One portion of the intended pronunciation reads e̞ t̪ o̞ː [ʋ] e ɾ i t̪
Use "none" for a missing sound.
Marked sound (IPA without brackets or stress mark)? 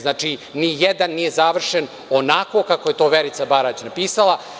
ʋ